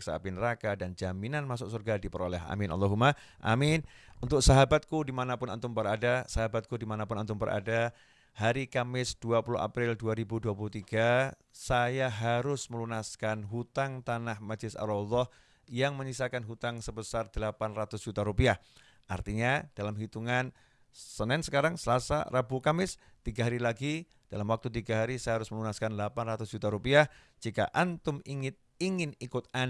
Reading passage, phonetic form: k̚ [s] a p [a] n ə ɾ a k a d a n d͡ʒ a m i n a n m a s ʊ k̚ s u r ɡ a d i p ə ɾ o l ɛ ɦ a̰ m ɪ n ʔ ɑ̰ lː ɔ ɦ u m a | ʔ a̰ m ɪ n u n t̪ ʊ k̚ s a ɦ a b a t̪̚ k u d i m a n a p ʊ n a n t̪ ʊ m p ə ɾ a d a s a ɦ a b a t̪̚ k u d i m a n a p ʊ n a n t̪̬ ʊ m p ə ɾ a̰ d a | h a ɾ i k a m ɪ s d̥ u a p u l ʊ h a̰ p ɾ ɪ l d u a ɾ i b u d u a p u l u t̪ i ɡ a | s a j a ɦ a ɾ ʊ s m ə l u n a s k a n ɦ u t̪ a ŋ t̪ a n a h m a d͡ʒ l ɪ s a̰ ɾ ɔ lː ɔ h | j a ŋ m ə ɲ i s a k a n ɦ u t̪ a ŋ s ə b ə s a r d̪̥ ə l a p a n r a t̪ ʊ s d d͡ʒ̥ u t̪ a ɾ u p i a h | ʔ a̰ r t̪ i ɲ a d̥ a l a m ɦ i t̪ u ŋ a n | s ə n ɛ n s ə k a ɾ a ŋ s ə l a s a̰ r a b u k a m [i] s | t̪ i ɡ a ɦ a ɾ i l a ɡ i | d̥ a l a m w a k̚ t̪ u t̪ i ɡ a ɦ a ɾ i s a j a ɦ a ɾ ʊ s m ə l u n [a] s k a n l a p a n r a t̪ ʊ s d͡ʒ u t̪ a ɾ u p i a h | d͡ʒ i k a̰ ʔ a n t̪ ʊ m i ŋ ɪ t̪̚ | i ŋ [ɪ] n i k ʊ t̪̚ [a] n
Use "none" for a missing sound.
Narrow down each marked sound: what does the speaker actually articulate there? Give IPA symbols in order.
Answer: s, i, ɪ, a, ɪ, a

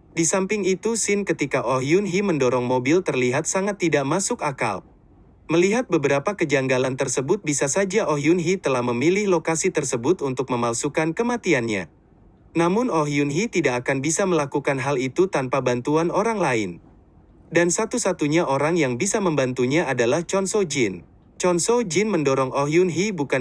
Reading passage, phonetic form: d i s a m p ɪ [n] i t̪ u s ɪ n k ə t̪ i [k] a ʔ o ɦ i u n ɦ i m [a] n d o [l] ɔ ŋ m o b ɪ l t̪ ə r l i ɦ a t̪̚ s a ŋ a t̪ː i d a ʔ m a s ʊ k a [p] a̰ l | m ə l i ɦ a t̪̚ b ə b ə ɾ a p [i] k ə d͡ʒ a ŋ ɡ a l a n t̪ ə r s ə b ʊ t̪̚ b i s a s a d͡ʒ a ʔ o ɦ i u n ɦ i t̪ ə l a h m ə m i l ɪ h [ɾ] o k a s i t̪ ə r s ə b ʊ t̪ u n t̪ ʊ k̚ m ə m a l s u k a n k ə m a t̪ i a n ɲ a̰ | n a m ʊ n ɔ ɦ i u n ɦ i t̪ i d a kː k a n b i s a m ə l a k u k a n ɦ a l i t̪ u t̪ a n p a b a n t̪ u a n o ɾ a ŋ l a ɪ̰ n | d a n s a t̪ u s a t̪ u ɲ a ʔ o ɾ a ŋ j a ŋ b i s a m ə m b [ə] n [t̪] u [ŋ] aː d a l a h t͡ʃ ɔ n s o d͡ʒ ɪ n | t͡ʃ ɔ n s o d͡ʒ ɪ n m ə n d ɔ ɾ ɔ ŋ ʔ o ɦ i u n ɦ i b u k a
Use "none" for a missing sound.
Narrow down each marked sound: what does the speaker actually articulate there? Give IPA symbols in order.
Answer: ŋ, k, ə, ɾ, k, a, l, a, t̪, ɲ

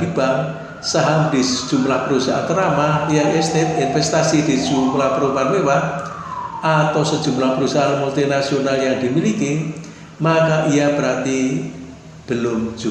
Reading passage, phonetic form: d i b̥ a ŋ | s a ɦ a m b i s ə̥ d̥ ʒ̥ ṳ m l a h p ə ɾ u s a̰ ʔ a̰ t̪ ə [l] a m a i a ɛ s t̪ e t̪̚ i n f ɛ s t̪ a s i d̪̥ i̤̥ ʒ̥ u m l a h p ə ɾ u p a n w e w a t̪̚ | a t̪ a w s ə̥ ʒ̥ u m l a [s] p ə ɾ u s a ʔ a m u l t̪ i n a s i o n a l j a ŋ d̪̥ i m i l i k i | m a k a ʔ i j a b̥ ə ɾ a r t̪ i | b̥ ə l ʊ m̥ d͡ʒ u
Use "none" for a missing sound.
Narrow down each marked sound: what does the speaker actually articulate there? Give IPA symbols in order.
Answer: ɾ, h

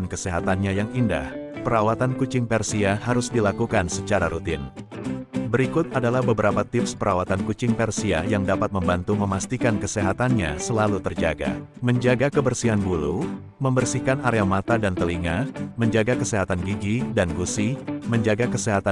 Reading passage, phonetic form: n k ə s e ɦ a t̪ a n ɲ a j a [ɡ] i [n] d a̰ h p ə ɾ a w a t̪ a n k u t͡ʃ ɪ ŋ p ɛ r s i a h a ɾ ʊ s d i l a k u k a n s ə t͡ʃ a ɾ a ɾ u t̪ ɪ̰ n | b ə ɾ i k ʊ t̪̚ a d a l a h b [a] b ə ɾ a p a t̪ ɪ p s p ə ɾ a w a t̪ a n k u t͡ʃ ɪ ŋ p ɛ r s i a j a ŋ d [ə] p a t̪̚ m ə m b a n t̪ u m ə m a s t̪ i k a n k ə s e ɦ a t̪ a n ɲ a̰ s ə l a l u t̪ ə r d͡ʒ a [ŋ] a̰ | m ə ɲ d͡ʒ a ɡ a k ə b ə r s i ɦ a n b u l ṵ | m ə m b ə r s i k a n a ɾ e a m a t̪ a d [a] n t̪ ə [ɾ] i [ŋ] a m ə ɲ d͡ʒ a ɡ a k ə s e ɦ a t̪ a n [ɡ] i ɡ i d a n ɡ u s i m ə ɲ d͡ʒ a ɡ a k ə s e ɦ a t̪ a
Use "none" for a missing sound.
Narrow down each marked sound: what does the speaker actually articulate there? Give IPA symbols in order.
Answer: ŋ, n, ə, a, ɡ, a, l, ŋ, ɡ

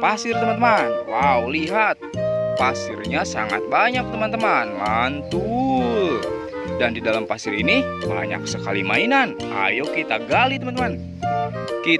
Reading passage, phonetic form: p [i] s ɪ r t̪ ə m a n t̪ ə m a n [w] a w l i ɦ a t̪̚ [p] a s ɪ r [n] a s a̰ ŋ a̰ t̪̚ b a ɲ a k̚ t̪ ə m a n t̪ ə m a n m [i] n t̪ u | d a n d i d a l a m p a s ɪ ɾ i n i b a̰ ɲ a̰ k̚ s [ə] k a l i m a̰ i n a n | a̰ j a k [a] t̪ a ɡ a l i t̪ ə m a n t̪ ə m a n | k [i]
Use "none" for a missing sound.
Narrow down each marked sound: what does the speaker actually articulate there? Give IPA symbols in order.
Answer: a, w, p, ɲ, a, ə, i, i

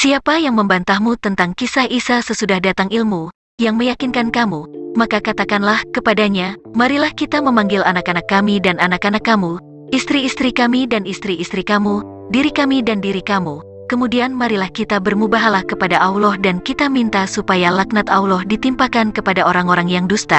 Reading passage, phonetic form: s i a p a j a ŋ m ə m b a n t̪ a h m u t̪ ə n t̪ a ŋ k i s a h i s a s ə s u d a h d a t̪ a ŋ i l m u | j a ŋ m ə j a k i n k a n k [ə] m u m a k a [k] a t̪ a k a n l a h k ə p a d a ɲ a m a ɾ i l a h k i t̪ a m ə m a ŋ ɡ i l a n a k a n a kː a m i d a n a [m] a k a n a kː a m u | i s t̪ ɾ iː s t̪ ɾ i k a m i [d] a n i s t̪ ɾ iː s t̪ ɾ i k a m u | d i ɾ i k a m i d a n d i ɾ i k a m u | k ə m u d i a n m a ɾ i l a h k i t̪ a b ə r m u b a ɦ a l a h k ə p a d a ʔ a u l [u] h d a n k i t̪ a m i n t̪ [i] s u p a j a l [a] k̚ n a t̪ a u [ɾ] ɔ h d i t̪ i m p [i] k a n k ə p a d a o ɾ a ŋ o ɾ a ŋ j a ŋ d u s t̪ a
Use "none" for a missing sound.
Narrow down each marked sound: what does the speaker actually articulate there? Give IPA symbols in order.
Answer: a, k, n, d, ɔ, a, a, l, a

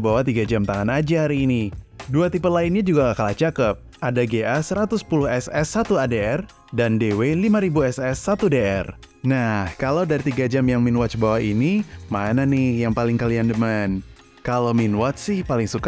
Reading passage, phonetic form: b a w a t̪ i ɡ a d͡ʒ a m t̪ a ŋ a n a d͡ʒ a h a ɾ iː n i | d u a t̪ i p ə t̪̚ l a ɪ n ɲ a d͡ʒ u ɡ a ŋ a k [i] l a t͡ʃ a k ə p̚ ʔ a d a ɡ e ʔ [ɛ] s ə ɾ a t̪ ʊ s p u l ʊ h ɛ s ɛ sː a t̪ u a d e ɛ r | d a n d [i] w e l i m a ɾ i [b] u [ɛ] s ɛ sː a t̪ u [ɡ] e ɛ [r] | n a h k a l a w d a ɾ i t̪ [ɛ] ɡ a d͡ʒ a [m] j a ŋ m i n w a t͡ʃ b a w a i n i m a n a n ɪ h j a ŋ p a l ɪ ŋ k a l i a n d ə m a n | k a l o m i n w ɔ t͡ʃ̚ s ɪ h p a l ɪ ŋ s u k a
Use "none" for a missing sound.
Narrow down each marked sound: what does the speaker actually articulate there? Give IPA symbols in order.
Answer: a, a, e, b, ɛ, d, r, i, m

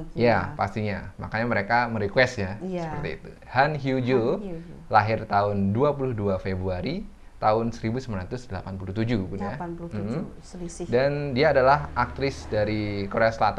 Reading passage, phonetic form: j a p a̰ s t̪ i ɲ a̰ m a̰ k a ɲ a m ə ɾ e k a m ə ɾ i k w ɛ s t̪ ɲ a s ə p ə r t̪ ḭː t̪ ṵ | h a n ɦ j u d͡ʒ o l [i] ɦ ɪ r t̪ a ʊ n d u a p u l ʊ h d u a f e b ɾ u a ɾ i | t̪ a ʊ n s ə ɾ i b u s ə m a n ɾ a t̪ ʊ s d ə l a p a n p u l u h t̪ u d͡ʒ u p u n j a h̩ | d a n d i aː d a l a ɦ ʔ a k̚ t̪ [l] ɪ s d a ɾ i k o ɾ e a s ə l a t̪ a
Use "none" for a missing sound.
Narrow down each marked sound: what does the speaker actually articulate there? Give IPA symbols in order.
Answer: a, ɾ

